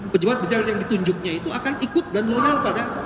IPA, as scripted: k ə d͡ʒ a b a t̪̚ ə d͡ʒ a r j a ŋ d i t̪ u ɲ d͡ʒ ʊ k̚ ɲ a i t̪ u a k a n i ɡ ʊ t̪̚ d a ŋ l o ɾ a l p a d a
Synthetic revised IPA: p ə d͡ʒ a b a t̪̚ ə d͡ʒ a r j a ŋ d i t̪ u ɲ d͡ʒ ʊ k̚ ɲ a i t̪ u a k a n i k ʊ t̪̚ d a n l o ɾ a l p a d a